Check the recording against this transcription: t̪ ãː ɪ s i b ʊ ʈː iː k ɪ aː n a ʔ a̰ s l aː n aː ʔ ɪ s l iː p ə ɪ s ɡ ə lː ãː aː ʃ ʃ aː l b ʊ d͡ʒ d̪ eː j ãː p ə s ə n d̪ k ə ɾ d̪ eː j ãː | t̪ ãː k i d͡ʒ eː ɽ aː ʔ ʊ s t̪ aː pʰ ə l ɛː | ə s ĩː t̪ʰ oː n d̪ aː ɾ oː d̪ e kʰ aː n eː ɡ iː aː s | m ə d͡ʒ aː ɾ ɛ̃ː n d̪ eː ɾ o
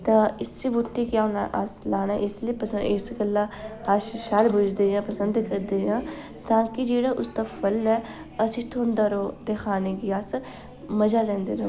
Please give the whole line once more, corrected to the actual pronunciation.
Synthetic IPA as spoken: t̪ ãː ɪ s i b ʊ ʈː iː k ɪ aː n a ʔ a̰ s l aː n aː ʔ ɪ s l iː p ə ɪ s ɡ ə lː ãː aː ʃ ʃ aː l b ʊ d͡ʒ d̪ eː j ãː p ə s ə n d̪ k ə ɾ d̪ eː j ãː | t̪ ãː k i d͡ʒ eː ɽ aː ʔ ʊ s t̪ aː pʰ ə l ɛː | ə s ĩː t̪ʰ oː n d̪ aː ɾ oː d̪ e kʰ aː n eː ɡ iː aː s | m ə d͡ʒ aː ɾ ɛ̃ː n d̪ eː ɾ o

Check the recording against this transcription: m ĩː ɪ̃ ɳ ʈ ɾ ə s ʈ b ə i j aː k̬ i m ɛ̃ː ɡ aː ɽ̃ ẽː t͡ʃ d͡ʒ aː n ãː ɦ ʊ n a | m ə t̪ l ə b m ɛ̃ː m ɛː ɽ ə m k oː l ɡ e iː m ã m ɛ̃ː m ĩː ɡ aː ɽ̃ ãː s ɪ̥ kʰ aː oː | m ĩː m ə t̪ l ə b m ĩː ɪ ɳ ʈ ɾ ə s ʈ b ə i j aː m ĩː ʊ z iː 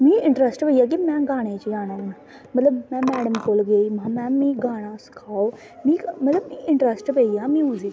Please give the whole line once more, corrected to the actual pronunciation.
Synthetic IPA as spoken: m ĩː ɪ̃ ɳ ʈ ɾ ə s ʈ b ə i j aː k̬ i m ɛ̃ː ɡ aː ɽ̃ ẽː t͡ʃ d͡ʒ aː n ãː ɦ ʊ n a | m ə t̪ l ə b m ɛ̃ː m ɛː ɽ ə m k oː l ɡ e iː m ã m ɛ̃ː m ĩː ɡ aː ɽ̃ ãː s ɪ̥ kʰ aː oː | m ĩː m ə t̪ l ə b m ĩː ɪ ɳ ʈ ɾ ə s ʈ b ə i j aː m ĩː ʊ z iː

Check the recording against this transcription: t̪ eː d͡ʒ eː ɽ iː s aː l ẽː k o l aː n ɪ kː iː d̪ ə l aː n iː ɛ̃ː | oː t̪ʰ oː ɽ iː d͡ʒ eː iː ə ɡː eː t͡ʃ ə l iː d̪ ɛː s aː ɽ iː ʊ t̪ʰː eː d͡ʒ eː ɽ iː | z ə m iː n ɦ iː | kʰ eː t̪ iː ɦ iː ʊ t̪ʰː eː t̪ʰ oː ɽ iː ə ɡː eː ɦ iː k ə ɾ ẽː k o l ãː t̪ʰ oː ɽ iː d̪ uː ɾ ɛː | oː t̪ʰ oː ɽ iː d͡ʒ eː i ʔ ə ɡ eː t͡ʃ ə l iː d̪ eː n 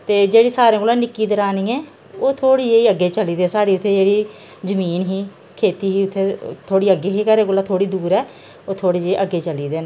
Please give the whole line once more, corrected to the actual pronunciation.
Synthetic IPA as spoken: t̪ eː d͡ʒ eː ɽ iː s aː ɾ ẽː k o l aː n ɪ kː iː d̪ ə ɾ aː n iː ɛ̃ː | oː t̪ʰ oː ɽ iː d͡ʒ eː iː ə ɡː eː t͡ʃ ə l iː d̪ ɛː s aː ɽ iː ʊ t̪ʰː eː d͡ʒ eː ɽ iː | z ə m iː n ɦ iː | kʰ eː t̪ iː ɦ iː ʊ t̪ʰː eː t̪ʰ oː ɽ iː ə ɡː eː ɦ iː k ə ɾ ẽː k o l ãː t̪ʰ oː ɽ iː d̪ uː ɾ ɛː | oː t̪ʰ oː ɽ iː d͡ʒ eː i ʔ ə ɡ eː t͡ʃ ə l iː d̪ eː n

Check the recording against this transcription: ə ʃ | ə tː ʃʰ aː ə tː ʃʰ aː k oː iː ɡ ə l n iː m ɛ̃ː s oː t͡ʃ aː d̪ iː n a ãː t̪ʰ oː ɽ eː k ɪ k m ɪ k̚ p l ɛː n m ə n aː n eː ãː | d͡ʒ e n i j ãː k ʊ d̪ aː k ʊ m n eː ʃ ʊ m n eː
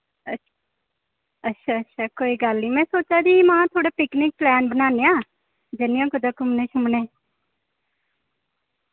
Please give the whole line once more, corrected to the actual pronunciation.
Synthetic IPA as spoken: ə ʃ | ə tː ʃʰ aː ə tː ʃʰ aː k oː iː ɡ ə l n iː m ɛ̃ː s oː t͡ʃ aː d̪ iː m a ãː t̪ʰ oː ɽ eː p ɪ k n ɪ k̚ p l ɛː n b ə n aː n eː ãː | d͡ʒ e n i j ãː k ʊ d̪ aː k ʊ m n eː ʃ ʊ m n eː

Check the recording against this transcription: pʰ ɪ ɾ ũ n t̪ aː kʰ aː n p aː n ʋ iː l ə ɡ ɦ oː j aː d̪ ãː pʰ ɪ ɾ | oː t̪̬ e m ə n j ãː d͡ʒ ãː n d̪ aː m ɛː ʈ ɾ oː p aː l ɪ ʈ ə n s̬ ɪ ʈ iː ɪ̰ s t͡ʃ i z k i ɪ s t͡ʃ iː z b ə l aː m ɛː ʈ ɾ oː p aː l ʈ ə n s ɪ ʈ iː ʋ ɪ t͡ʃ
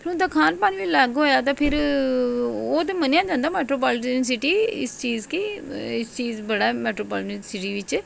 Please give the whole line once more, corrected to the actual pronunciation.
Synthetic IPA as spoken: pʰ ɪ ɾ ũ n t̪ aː kʰ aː n p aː n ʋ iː l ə ɡ ɦ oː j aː t̪ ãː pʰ ɪ ɾ | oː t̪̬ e m ə n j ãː d͡ʒ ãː n d̪ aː m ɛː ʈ ɾ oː p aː l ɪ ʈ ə n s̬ ɪ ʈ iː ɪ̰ s t͡ʃ iː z k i ɪ s t͡ʃ iː z b ə ɽ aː m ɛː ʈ ɾ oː p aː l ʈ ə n s ɪ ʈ iː ʋ ɪ t͡ʃ

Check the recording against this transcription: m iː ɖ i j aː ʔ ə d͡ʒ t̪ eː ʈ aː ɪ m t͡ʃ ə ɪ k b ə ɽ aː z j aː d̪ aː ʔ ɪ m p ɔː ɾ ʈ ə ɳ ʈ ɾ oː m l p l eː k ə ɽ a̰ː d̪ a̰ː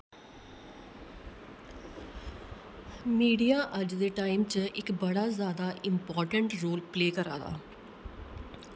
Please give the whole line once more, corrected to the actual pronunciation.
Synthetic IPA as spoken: m iː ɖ i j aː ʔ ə d͡ʒ d̪ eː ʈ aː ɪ m t͡ʃ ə ɪ k b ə ɽ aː z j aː d̪ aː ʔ ɪ m p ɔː ɾ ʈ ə ɳ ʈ ɾ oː l p l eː k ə ɾ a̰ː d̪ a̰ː

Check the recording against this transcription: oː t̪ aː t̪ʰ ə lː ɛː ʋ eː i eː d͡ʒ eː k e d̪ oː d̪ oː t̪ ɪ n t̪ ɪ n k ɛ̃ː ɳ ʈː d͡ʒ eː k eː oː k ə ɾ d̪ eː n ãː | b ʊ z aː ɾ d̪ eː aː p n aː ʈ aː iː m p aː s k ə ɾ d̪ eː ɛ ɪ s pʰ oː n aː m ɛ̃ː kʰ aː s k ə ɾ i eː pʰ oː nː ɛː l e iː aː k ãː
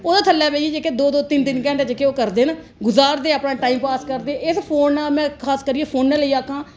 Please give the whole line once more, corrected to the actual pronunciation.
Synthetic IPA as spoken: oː d̪ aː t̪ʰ ə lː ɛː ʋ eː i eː d͡ʒ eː k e d̪ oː d̪ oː t̪ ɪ n t̪ ɪ n k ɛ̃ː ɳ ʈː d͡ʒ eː k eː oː k ə ɾ d̪ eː n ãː | ɡ ʊ z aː ɾ d̪ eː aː p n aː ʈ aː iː m p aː s k ə ɾ d̪ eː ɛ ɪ s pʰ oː n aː m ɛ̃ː kʰ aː s k ə ɾ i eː pʰ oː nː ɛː l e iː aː k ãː

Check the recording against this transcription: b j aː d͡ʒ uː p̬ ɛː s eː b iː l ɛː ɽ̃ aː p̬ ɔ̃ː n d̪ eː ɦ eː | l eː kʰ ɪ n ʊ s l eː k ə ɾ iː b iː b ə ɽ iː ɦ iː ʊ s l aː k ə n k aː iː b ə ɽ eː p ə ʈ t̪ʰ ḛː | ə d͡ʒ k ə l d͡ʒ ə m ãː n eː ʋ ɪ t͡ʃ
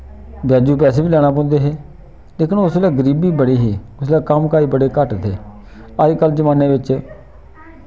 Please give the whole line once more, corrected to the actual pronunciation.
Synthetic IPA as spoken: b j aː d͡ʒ uː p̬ ɛː s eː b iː l ɛː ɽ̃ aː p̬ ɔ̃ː n d̪ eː ɦ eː | l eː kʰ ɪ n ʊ s l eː ɡ ə ɾ iː b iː b ə ɽ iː ɦ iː ʊ s l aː k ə m k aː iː b ə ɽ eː k ə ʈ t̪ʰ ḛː | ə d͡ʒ k ə l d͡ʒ ə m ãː n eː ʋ ɪ t͡ʃ

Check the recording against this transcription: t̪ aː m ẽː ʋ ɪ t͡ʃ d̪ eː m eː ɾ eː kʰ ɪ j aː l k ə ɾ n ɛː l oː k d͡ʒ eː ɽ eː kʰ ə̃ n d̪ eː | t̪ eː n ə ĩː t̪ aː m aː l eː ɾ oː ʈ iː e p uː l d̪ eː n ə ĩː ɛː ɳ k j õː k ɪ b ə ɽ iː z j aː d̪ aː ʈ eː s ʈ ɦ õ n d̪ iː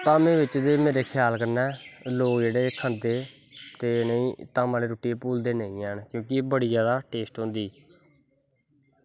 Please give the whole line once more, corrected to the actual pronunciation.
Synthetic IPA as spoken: t̪ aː m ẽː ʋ ɪ t͡ʃ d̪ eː m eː ɾ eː kʰ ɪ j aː l k ə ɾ n ɛː l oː k d͡ʒ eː ɽ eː kʰ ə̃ n d̪ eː | t̪ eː n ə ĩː t̪ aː m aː l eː ɾ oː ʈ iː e p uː l d̪ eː n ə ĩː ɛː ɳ k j õː k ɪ b ə ɽ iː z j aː d̪ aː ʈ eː s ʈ ɦ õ n d̪ iː

